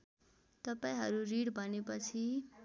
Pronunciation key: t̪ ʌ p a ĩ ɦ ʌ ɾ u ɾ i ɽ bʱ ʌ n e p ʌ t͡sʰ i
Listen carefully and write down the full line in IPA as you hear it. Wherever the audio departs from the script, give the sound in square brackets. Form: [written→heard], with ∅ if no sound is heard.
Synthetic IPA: t̪ ʌ p a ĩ ɦ ʌ ɾ u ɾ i ɽ bʱ ʌ n e p ʌ t͡sʰ i